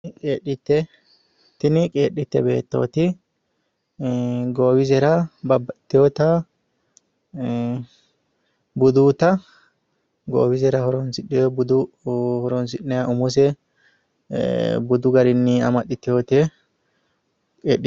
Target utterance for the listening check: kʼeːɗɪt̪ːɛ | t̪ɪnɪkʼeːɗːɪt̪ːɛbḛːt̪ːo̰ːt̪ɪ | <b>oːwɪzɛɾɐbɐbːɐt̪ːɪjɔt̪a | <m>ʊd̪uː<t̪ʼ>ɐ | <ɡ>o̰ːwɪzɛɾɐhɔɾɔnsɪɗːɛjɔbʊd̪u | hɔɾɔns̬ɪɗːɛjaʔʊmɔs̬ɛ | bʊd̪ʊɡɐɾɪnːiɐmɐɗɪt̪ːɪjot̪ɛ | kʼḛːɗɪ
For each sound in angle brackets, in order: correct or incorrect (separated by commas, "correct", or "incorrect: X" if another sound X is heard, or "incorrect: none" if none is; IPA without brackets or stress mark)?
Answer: incorrect: ɡ, incorrect: b, incorrect: t̪, correct